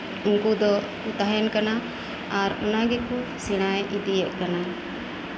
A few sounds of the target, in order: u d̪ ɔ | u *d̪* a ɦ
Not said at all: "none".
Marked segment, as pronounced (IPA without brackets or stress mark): t̪